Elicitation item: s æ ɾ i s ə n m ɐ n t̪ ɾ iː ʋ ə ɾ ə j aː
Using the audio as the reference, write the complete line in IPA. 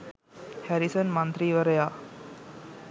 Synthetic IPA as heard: h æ ɾ i s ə n m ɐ n t̪ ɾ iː ʋ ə ɾ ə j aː